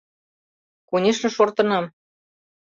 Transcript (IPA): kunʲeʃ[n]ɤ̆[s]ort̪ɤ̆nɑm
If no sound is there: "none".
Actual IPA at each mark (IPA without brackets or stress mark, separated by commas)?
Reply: n, ʃ